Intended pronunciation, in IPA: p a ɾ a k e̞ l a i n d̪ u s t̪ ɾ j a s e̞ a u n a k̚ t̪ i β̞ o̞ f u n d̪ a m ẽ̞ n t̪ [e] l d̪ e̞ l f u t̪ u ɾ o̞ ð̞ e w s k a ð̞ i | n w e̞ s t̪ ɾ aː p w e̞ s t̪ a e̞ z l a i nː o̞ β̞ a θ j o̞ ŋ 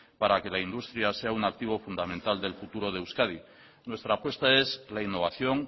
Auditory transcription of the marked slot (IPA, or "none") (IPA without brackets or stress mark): a